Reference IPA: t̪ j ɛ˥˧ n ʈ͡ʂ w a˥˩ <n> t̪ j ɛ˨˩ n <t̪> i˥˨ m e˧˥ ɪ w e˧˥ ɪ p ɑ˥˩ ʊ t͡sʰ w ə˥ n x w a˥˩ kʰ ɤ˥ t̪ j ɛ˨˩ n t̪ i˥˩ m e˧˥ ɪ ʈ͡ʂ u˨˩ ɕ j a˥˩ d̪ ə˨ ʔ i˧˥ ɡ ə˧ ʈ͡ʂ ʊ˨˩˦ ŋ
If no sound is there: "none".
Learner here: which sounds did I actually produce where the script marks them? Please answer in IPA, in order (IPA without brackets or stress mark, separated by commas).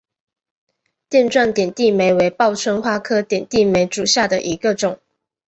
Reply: n, t̪